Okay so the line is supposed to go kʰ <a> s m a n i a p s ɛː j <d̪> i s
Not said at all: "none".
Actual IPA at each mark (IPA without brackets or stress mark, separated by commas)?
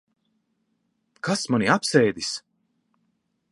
a, d̪